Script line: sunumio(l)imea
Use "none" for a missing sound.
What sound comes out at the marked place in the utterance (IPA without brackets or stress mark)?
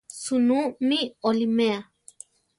l